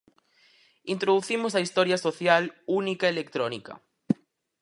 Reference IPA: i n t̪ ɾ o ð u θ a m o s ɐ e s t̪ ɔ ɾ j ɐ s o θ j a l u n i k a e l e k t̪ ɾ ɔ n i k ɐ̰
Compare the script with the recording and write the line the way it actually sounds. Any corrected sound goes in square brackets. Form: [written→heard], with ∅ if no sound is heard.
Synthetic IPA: i n t̪ ɾ o ð u θ [a→i] m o s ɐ [e→i] s t̪ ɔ ɾ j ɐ s o θ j a l u n i k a e l e k t̪ ɾ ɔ n i k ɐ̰

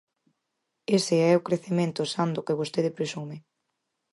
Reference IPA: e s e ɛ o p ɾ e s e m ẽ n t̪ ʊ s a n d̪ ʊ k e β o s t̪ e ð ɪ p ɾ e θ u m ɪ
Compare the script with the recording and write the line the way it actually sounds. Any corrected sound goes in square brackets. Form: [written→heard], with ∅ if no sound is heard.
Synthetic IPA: e s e ɛ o [p→k] ɾ e [s→θ] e m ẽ n t̪ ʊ s a n d̪ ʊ k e β o s t̪ e ð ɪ p ɾ e [θ→s] u m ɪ

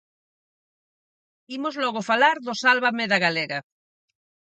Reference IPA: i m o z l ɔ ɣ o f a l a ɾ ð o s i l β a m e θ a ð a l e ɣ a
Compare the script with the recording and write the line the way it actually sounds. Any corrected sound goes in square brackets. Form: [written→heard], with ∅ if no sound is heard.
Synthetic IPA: i m o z l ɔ ɣ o f a l a ɾ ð o s [i→a] l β a m e [θ→ð] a [ð→ɣ] a l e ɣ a

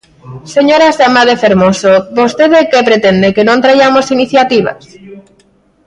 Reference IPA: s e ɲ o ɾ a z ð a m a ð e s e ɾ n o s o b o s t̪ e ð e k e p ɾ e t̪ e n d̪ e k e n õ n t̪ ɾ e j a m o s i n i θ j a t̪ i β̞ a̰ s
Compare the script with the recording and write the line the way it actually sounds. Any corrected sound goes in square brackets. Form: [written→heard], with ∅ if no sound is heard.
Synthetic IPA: s e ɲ o ɾ a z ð a m a ð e [s→f] e ɾ [n→m] o s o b o s t̪ e ð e k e p ɾ e t̪ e n d̪ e k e n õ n t̪ ɾ [e→a] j a m o s i n i θ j a t̪ i β̞ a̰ s

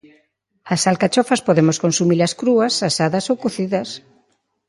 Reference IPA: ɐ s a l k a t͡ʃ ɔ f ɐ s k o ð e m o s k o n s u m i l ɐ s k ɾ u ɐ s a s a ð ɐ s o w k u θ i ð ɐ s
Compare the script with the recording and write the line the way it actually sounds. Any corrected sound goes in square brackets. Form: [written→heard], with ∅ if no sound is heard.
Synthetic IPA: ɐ s a l k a t͡ʃ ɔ f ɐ s [k→p] o ð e m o s k o n s u m i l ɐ s k ɾ u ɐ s a s a ð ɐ s o w k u θ i ð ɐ s

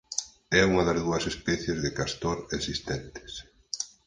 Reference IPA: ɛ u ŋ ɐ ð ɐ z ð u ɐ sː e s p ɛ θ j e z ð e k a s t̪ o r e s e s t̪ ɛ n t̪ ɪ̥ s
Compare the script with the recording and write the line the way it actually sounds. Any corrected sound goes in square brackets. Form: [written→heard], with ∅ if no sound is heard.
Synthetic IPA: ɛ u ŋ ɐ ð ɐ z ð u ɐ [sː→s] e s p ɛ θ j e z ð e k a s t̪ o [r→ɾ] e s [e→i] s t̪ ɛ n t̪ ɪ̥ s

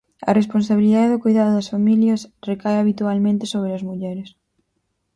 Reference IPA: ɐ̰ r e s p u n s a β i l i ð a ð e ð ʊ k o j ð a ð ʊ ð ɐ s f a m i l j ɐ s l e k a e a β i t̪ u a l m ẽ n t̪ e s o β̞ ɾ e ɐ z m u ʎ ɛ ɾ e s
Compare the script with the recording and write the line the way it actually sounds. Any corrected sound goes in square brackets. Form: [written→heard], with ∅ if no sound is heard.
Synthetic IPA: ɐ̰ r e s p [u→o] n s a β i l i ð a ð e ð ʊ k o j ð a ð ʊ ð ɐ s f a m i l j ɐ s [l→r] e k a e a β i t̪ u a l m ẽ n t̪ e s o β̞ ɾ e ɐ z m u ʎ ɛ ɾ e s

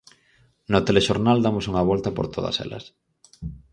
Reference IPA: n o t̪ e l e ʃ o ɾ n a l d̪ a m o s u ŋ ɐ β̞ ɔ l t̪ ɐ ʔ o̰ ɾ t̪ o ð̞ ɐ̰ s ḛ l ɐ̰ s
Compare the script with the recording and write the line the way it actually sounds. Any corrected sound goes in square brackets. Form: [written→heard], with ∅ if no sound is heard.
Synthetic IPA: n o t̪ e l e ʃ o ɾ n a l d̪ a m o s u ŋ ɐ β̞ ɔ l t̪ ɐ [ʔ→p] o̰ ɾ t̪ o ð̞ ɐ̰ s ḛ l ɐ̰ s

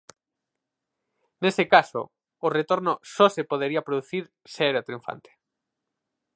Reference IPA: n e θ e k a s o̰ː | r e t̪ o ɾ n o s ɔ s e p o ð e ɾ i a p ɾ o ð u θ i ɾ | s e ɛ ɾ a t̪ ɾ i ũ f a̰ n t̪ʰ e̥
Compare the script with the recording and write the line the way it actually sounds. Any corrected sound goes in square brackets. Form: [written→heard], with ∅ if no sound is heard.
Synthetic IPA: n e [θ→s] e k a s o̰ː | r e t̪ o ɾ n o s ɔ s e p o ð e ɾ i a p ɾ o ð u θ i ɾ | s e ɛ ɾ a t̪ ɾ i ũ f a̰ n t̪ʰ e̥

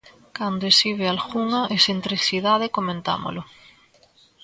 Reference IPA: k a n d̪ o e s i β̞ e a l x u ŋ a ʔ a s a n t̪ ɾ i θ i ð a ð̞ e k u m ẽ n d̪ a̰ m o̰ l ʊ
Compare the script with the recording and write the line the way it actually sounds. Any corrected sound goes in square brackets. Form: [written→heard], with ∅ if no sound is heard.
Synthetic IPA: k a n d̪ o e s i β̞ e a l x u ŋ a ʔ [a→e] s [a→e] n t̪ ɾ i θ i ð a ð̞ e k [u→o] m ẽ n [d̪→t̪] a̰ m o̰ l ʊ

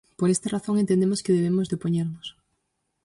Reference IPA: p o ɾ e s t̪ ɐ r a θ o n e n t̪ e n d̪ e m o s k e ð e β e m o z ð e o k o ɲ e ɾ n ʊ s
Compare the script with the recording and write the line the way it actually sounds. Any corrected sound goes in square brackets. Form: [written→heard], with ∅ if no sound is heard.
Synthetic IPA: p o ɾ e s t̪ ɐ r a θ o [n→ŋ] e n t̪ e n d̪ e m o s k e ð e β e m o z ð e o [k→p] o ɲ e ɾ n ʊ s

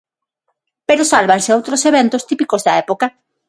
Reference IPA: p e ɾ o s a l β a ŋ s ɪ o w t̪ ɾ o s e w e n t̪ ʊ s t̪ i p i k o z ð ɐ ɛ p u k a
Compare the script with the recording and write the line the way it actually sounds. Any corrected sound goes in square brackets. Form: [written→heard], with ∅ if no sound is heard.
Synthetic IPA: p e ɾ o s a l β a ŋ s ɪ o w t̪ ɾ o s e [w→β] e n t̪ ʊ s t̪ i p i k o z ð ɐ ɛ p [u→o] k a

